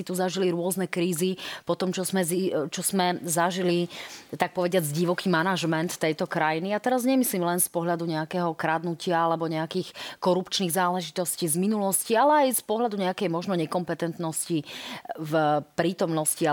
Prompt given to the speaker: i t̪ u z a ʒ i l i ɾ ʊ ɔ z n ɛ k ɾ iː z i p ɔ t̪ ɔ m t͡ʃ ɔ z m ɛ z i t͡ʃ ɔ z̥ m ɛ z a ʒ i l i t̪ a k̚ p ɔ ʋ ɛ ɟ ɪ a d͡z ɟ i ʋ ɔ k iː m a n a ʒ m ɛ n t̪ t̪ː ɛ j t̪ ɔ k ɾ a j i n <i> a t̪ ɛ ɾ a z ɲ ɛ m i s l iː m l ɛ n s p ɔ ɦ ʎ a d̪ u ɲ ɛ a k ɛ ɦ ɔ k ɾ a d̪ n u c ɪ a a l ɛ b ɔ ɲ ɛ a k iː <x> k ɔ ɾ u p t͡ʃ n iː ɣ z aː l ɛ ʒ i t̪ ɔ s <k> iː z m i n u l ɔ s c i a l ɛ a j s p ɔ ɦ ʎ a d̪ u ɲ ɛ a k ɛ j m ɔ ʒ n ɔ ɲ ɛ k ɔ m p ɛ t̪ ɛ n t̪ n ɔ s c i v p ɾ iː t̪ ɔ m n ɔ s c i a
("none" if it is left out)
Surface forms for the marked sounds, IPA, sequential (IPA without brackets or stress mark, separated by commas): i, x, c